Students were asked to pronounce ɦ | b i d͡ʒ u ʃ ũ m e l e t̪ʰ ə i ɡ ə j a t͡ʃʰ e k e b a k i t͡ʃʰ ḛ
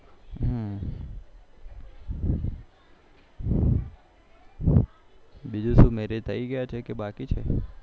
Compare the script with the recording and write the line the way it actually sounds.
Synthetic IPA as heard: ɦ | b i d͡ʒ u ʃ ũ m e ɾ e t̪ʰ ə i ɡ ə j a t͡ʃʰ e k e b a k i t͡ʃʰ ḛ